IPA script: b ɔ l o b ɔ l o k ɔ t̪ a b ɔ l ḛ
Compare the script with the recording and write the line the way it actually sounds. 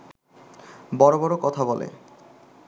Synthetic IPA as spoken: b ɔ ɾ o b ɔ ɾ o k ɔ t̪ʰ a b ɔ l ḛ